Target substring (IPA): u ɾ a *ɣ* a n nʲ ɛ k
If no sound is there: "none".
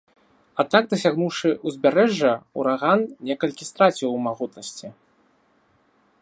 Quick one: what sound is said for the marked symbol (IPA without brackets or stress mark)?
ɣ